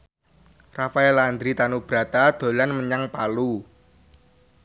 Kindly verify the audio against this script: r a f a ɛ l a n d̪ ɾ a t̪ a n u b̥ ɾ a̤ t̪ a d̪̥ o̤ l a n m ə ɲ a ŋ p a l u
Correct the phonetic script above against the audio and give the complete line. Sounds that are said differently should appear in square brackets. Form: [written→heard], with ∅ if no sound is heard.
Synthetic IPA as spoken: r a f a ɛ l a n d̪ ɾ [a→i] t̪ a n u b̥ ɾ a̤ t̪ a d̪̥ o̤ l a n m ə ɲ a ŋ p a l u